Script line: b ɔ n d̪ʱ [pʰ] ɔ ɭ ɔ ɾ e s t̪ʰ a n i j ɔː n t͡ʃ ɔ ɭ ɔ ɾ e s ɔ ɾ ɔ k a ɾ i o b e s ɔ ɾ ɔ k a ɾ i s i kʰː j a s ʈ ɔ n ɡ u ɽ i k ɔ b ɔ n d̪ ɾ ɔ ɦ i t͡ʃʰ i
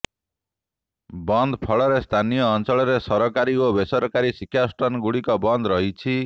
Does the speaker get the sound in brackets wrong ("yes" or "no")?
no